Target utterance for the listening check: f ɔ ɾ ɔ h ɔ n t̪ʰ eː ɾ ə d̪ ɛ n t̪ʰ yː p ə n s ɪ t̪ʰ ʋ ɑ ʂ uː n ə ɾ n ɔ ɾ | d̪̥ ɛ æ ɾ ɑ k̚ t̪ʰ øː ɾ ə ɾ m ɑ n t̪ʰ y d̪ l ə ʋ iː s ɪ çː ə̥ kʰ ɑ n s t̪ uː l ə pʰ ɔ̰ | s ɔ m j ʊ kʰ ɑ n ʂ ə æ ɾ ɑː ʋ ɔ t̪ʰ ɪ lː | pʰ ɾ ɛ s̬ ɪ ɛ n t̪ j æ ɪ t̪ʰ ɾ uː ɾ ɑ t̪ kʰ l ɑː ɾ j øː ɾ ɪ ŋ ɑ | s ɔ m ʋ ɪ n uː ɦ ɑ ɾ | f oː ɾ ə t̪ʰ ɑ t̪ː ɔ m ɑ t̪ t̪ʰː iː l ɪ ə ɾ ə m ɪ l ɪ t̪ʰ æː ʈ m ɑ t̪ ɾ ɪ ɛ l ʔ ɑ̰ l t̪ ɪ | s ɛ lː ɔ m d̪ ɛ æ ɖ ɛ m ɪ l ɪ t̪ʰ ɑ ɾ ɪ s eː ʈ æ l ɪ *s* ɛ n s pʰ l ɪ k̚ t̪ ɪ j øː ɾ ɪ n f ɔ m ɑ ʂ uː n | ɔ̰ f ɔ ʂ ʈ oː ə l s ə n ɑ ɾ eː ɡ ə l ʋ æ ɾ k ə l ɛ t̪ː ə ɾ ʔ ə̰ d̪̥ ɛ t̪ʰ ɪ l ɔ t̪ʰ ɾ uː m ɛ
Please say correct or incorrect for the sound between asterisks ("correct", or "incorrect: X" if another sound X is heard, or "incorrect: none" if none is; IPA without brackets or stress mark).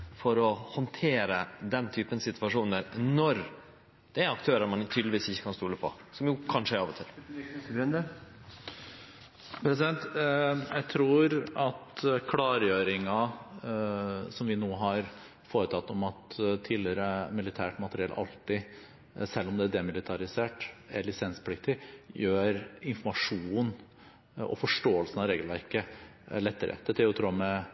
correct